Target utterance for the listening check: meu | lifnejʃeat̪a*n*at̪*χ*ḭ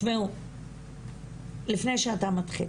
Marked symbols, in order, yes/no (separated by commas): no, yes